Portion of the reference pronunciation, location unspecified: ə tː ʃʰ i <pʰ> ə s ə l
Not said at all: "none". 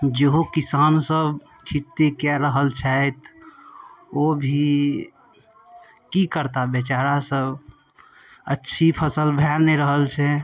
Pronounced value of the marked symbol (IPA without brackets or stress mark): pʰ